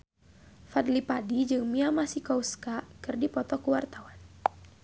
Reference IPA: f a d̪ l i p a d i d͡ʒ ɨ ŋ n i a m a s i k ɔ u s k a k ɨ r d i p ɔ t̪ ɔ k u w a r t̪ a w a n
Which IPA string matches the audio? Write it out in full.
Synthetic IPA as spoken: f a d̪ l i p a d i d͡ʒ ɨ ŋ m i a m a s i k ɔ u s k a k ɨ r d i p ɔ t̪ ɔ k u w a r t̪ a w a n